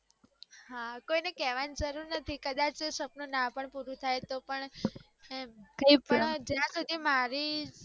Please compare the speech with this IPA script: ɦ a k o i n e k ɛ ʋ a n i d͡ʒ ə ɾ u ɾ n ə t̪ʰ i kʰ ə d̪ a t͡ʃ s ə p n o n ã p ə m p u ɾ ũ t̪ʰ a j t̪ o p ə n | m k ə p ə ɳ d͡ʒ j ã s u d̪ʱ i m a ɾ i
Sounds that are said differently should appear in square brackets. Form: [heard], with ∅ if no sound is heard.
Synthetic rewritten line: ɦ a k o i n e k ɛ ʋ a n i d͡ʒ ə ɾ u ɾ n ə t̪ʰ i [k] ə d̪ a t͡ʃ s ə p n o n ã p ə [ɳ] p u ɾ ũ t̪ʰ a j t̪ o p ə [ɳ] | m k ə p ə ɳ d͡ʒ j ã s u d̪ʱ i m a ɾ i

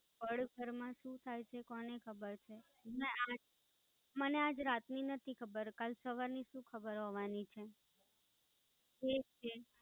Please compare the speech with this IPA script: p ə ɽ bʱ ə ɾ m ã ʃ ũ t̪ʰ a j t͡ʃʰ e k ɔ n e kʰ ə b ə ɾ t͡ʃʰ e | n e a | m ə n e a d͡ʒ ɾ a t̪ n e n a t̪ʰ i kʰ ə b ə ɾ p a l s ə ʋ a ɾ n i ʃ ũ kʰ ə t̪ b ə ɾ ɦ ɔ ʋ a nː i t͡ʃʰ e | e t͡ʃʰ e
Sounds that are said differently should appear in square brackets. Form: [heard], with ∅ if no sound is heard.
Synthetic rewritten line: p ə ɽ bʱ ə ɾ m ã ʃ ũ t̪ʰ a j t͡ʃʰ e k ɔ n e kʰ ə b ə ɾ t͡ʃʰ e | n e a | m ə n e a d͡ʒ ɾ a t̪ n [i] n [ə] t̪ʰ i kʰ ə b ə ɾ [k] a l s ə ʋ a ɾ n i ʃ ũ kʰ ə [∅] b ə ɾ ɦ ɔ ʋ a [n] i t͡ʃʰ e | e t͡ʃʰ e

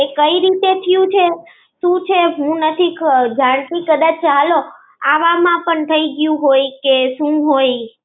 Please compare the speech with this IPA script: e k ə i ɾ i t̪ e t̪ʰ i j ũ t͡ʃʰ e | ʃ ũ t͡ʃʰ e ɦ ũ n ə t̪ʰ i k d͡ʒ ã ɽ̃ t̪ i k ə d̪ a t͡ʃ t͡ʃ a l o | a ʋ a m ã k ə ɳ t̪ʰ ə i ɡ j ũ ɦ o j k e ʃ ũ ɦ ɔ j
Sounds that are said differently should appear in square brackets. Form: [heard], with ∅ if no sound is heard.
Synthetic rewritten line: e k ə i ɾ i t̪ e t̪ʰ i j ũ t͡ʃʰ e | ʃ ũ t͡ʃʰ e ɦ ũ n ə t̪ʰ i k d͡ʒ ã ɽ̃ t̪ i k ə d̪ a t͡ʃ t͡ʃ a l o | a ʋ a m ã [p] ə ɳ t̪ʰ ə i ɡ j ũ ɦ o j k e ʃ ũ ɦ [o] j

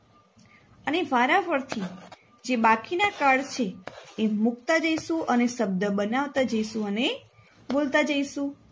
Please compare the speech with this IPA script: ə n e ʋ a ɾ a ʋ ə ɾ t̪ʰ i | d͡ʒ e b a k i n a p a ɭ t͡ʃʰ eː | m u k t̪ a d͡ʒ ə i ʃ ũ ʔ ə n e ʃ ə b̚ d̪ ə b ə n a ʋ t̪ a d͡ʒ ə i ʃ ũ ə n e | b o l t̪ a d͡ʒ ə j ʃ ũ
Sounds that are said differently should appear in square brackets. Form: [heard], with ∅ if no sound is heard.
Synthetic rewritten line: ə n e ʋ a ɾ a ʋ ə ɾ t̪ʰ i | d͡ʒ e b a k i n a [k] a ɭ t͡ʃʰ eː | m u k t̪ a d͡ʒ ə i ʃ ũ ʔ ə n e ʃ ə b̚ d̪ ə b ə n a ʋ t̪ a d͡ʒ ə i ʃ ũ ə n e | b o l t̪ a d͡ʒ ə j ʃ ũ

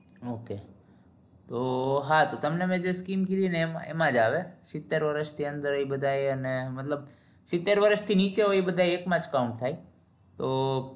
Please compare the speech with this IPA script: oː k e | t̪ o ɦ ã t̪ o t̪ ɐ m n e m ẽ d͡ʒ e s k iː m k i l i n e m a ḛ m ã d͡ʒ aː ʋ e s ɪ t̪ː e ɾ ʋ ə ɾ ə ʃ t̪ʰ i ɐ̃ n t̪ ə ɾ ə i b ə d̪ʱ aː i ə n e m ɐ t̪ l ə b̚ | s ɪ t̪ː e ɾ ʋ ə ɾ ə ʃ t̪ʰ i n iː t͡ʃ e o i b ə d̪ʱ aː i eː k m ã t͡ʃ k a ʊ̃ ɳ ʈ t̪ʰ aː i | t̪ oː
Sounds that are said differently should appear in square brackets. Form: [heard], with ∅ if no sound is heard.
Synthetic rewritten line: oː k e | t̪ o ɦ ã t̪ o t̪ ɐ m n e m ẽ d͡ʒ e s k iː m k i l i n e m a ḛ m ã d͡ʒ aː ʋ e s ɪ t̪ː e ɾ ʋ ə ɾ ə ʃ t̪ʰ i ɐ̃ n [d̪] ə ɾ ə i b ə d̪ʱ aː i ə n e m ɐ t̪ l ə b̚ | s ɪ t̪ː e ɾ ʋ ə ɾ ə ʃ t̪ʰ i n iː t͡ʃ e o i b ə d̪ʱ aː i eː k m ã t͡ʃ k a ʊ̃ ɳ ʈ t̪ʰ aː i | t̪ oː

